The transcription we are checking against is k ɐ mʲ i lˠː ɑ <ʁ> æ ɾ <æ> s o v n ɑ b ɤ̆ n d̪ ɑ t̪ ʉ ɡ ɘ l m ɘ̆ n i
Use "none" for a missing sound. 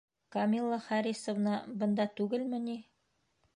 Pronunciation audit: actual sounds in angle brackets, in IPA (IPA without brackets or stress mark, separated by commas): χ, i